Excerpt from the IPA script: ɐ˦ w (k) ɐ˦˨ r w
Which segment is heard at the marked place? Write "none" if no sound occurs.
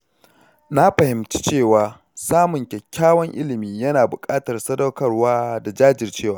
k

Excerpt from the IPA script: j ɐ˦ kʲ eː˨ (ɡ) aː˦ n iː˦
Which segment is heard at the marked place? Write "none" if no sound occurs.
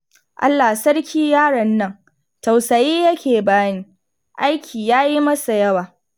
b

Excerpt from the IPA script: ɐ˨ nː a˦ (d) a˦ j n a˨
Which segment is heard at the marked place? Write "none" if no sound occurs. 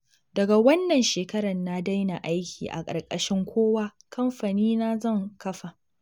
d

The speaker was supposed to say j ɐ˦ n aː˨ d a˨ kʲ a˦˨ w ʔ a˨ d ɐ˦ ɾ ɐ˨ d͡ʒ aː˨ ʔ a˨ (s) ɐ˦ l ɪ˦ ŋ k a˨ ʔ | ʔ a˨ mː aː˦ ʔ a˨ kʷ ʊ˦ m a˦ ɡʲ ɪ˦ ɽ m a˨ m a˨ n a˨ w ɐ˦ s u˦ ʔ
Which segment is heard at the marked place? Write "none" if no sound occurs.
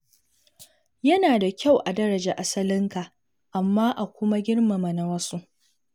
s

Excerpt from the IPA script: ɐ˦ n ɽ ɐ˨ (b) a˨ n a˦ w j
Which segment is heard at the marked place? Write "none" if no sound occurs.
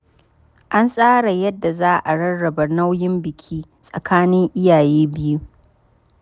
b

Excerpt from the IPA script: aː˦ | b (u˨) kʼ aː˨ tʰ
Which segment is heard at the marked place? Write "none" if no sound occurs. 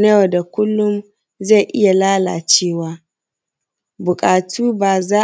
ʊ˨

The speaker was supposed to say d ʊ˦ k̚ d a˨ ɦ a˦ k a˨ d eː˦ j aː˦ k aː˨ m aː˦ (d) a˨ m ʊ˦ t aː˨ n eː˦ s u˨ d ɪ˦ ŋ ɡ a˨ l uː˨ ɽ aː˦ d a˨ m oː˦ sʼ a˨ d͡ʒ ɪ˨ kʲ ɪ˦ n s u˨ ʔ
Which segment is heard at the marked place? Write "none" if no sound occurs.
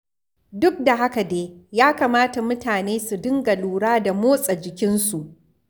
t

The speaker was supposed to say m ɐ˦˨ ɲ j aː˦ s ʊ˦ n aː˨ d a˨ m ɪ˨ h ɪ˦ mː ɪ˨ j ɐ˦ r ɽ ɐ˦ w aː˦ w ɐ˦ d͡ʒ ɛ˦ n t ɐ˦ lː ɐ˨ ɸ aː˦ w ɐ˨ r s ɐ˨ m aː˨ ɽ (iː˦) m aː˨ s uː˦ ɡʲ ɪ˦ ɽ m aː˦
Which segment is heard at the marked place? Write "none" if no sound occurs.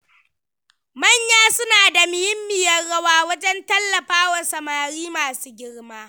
iː˦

